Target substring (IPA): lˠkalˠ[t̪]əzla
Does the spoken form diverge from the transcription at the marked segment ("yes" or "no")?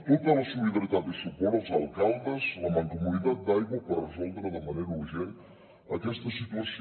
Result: yes